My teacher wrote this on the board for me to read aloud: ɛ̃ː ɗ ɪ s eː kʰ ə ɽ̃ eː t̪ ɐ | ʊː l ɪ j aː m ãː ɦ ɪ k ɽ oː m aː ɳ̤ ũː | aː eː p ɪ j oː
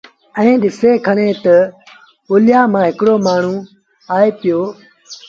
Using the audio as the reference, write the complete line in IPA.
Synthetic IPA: ɛ̃ː ɗ ɪ s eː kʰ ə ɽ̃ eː t̪ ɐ | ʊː l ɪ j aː m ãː ɦ ɪ k ɽ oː m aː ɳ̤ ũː | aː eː p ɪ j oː